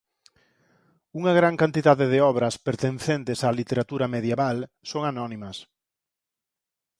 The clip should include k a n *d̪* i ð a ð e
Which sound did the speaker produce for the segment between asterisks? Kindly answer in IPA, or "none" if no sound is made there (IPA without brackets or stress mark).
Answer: t̪